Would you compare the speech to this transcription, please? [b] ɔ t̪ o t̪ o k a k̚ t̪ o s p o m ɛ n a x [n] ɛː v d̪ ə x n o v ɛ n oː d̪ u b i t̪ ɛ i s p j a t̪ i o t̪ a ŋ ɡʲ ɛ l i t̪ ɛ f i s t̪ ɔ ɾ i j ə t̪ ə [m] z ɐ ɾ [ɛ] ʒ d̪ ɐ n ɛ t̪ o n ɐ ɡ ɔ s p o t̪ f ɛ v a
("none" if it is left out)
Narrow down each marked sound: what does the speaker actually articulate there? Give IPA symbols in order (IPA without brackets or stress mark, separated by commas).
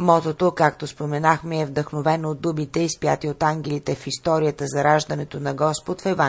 m, m, none, a